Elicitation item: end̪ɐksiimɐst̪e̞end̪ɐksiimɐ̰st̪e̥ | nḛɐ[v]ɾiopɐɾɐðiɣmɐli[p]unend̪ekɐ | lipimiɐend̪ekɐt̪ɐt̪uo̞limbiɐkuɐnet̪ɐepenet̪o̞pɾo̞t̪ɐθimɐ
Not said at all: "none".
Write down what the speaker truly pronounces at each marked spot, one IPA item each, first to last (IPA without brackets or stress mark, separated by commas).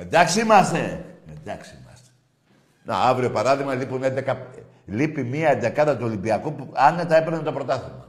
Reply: v, p